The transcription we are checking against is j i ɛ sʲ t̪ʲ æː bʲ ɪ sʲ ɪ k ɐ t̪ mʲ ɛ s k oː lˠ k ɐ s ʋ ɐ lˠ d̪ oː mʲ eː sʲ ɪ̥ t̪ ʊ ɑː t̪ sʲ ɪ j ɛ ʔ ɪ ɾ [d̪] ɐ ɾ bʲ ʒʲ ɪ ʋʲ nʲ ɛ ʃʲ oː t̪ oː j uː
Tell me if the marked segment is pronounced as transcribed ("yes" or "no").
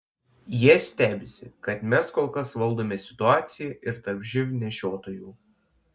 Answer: no